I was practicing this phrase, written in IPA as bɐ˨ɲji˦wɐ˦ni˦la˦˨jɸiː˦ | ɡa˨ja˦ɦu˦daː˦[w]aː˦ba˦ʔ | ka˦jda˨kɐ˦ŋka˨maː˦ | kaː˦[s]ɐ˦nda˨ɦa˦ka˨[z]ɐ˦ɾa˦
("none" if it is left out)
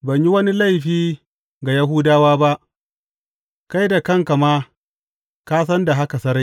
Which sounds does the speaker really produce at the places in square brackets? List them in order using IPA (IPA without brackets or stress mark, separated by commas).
w, s, s